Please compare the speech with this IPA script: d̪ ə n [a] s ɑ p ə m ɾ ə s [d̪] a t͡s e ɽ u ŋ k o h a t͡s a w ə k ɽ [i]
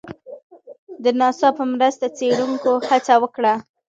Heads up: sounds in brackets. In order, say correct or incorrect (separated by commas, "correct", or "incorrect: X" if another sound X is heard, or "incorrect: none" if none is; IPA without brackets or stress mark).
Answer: incorrect: ɑ, incorrect: t̪, incorrect: a